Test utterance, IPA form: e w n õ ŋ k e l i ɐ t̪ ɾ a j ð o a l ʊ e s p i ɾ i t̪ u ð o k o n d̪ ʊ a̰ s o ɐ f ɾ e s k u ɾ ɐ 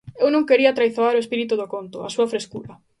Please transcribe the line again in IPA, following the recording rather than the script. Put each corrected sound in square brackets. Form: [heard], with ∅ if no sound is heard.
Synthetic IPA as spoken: e w n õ ŋ k e [ɾ] i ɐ t̪ ɾ a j [θ] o a [ɾ] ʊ e s p i ɾ i t̪ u ð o k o n [t̪] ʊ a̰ s [u] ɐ f ɾ e s k u ɾ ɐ